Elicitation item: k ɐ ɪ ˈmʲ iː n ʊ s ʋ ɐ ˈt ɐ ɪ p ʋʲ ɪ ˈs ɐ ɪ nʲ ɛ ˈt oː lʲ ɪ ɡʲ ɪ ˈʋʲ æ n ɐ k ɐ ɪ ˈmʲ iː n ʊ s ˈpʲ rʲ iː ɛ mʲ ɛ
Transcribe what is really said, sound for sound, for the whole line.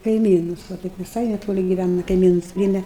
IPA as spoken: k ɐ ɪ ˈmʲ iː n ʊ s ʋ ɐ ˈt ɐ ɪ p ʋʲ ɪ ˈs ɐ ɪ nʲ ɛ ˈt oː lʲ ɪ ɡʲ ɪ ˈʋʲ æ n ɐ k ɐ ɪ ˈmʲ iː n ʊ s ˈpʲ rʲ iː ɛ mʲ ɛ